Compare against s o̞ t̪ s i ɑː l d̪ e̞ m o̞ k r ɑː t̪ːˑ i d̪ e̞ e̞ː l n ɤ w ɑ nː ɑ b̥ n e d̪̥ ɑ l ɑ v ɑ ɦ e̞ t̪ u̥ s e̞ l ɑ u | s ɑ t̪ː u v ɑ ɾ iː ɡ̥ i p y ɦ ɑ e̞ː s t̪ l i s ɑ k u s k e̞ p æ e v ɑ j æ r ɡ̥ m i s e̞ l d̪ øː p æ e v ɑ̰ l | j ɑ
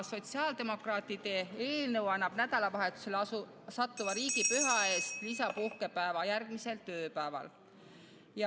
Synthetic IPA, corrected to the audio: s o̞ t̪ s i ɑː l d̪ e̞ m o̞ k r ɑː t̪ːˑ i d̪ e̞ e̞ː l n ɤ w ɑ nː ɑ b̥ n æ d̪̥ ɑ l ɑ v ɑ ɦ e̞ t̪ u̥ s e̞ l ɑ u | s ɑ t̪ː u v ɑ ɾ iː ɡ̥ i p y ɦ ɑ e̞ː s t̪ l i s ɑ p u h k e̞ p æ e v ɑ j æ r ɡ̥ m i s e̞ l t̪ øː p æ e v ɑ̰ l | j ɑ